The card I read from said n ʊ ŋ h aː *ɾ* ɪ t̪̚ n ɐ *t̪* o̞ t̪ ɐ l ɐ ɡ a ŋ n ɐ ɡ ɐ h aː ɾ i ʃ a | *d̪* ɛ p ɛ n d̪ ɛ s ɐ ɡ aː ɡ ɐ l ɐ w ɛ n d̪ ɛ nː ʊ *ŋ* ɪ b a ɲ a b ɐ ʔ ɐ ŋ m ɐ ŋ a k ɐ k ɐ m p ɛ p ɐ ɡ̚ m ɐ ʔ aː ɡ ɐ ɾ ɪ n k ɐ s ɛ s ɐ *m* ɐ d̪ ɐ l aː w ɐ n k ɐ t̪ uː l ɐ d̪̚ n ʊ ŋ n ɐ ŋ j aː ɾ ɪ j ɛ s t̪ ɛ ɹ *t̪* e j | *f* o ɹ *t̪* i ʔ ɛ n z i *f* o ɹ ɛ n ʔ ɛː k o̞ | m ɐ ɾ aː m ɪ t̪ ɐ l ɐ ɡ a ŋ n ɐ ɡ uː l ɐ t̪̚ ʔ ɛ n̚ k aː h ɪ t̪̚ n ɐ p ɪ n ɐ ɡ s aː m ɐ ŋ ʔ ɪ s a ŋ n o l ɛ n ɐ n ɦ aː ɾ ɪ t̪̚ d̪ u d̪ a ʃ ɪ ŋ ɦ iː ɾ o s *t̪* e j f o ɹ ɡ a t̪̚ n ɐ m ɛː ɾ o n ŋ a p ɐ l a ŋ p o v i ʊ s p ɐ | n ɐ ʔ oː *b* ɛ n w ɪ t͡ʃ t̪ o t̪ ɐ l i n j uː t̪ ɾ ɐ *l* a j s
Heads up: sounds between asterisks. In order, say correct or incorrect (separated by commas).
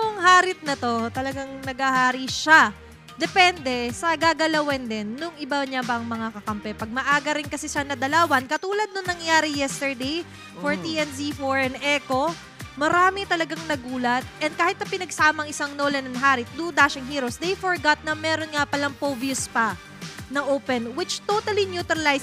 correct, correct, correct, correct, incorrect, incorrect, correct, correct, correct, incorrect, incorrect, correct